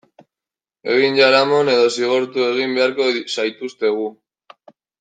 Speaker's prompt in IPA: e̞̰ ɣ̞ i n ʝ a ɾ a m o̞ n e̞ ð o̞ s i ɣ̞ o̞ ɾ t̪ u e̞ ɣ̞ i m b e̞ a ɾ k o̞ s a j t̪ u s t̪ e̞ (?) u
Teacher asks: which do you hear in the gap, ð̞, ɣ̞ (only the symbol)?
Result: ɣ̞